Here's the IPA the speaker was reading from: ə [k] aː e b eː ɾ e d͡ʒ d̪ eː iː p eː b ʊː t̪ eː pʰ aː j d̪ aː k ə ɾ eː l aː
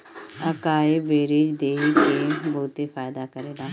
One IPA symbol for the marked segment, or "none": k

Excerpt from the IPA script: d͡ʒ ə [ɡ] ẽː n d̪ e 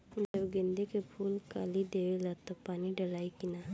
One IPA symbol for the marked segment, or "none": ɡ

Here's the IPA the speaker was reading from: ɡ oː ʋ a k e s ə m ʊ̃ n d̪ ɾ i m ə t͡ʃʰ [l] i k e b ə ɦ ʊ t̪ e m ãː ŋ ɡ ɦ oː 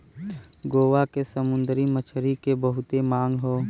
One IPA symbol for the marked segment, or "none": ɾ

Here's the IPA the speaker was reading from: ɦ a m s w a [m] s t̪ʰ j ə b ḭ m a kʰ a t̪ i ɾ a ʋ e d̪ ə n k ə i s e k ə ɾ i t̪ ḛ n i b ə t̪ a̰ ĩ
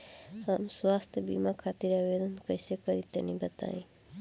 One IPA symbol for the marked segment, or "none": none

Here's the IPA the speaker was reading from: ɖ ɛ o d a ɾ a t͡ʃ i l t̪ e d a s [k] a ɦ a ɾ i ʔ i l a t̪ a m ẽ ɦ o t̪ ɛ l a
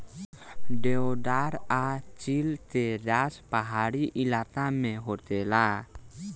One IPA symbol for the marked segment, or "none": p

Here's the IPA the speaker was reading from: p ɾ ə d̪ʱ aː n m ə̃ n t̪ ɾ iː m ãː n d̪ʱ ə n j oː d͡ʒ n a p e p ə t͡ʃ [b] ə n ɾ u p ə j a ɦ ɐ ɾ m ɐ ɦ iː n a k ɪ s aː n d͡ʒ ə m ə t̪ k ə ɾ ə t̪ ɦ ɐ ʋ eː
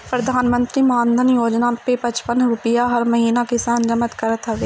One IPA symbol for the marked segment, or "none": p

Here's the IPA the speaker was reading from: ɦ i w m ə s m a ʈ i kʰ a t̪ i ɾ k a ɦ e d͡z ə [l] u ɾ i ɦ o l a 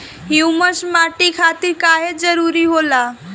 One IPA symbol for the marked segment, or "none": ɾ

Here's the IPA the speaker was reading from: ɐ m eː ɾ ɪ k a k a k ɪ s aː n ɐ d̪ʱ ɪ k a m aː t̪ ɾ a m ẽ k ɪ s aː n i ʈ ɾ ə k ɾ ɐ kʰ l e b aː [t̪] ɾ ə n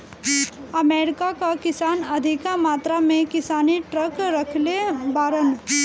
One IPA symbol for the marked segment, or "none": none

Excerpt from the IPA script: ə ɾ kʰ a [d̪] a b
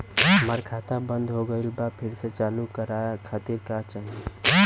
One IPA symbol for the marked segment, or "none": t̪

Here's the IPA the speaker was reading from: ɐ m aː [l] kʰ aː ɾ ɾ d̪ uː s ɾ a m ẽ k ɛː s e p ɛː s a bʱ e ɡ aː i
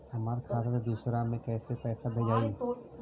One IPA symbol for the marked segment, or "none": ɾ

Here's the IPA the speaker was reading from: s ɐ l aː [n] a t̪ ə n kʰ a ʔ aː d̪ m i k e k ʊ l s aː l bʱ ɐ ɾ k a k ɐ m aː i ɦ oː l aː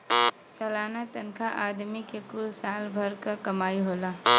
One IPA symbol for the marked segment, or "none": n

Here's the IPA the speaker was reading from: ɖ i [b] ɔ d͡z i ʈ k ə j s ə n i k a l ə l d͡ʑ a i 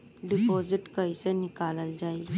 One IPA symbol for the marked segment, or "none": p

